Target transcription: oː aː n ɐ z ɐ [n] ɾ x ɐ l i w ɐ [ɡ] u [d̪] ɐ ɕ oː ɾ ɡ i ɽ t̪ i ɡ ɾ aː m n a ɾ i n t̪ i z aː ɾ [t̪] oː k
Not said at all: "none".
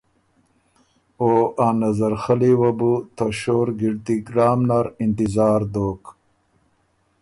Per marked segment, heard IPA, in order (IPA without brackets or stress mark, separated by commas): none, b, t̪, d̪